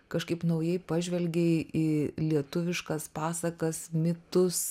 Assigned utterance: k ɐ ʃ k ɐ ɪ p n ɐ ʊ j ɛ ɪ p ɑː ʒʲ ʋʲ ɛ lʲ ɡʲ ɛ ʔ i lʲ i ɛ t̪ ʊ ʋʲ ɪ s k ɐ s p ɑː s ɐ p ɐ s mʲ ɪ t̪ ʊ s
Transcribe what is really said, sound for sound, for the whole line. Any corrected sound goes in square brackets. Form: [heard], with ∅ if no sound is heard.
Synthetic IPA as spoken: k ɐ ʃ k ɐ ɪ p n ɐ ʊ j ɛ ɪ p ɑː ʒʲ ʋʲ ɛ lʲ ɡʲ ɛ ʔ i lʲ i ɛ t̪ ʊ ʋʲ ɪ [ʃ] k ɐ s p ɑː s ɐ [k] ɐ s mʲ ɪ t̪ ʊ s